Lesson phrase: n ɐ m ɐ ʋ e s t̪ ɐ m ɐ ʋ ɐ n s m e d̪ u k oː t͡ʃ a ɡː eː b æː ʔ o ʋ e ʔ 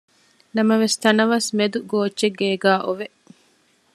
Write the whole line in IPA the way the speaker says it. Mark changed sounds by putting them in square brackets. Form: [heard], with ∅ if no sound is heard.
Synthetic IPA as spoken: n ɐ m ɐ ʋ e s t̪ ɐ [n] ɐ ʋ ɐ [∅] s m e d̪ u [ɡ] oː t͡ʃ [e] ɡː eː [ɡ] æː ʔ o ʋ e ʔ